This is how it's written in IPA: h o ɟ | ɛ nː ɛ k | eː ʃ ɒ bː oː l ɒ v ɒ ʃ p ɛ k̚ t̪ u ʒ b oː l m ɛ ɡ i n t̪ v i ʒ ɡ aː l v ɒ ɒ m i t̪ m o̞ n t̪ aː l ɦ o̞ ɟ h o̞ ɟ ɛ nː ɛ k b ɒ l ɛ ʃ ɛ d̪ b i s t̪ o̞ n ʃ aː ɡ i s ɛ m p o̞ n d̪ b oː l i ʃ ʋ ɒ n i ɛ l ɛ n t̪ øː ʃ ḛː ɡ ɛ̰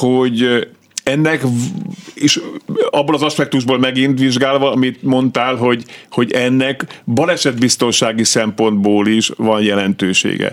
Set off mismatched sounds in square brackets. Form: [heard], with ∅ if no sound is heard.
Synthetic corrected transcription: h o ɟ | ɛ nː ɛ k | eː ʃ ɒ bː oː l ɒ [z] ɒ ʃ p ɛ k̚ t̪ u ʒ b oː l m ɛ ɡ i n t̪ [ʋ] i ʒ ɡ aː l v ɒ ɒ m i t̪ m o̞ n t̪ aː l ɦ o̞ ɟ h o̞ ɟ ɛ nː ɛ k b ɒ l ɛ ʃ ɛ d̪ b i s t̪ o̞ n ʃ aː ɡ i s ɛ m p o̞ n d̪ b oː l i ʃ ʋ ɒ n [j] ɛ l ɛ n t̪ øː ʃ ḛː ɡ ɛ̰